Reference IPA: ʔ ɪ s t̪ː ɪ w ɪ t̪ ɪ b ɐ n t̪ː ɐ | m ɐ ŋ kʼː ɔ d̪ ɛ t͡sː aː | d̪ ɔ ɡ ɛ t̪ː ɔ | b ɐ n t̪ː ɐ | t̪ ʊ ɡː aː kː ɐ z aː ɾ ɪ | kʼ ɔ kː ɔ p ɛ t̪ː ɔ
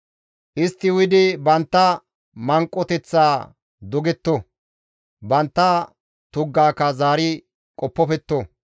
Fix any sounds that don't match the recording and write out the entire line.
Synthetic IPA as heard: ʔ ɪ s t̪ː ɪ w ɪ d̪ ɪ b ɐ n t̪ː ɐ | m ɐ ŋ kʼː ɔ t̪ ɛ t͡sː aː | d̪ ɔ ɡ ɛ t̪ː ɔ | b ɐ n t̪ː ɐ | t̪ ʊ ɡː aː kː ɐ z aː ɾ ɪ | kʼ ɔ pː ɔ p ɛ t̪ː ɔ